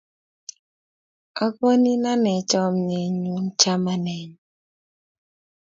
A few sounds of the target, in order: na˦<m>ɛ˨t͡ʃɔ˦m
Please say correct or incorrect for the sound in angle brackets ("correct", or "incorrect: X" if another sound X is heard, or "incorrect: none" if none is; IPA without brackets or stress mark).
incorrect: n